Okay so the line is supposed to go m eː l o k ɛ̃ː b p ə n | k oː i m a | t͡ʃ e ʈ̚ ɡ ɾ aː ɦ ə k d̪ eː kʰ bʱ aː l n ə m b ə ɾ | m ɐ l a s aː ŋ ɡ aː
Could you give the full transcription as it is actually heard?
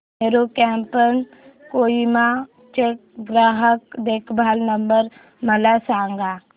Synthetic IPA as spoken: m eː ɾ o k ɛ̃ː m p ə n | k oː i m a | t͡ʃ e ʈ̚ ɡ ɾ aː ɦ ə k d̪ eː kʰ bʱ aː l n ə m b ə ɾ | m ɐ l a s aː ŋ ɡ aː